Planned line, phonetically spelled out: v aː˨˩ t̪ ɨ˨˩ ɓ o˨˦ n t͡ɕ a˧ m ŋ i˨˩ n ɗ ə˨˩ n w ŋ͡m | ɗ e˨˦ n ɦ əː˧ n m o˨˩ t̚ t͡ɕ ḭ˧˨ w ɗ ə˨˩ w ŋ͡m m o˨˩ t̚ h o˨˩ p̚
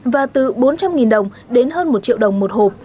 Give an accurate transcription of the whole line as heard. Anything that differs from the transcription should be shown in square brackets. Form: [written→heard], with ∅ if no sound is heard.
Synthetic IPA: v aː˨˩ t̪ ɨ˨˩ ɓ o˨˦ n t͡ɕ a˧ m ŋ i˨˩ n ɗ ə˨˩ [n→∅] w ŋ͡m | ɗ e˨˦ n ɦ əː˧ n m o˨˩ t̚ t͡ɕ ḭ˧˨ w ɗ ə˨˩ w ŋ͡m m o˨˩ t̚ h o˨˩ p̚